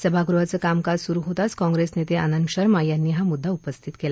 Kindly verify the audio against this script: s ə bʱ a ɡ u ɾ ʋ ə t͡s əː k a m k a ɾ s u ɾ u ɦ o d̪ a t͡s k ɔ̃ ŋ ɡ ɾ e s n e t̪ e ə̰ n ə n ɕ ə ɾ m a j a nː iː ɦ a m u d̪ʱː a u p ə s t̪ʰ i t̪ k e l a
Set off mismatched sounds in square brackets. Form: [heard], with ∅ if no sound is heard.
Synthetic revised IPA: s ə bʱ a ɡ u ɾ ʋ [a] t͡s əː k a m k a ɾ s u ɾ u ɦ o [t̪] a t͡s k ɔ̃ ŋ ɡ ɾ e s n e t̪ e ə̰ n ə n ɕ ə ɾ m a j a nː iː ɦ a m u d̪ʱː a u p ə s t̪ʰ i t̪ k e l a